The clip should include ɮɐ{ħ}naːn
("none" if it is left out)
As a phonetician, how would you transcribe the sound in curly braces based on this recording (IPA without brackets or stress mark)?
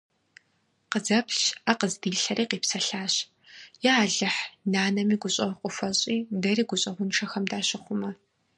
ħ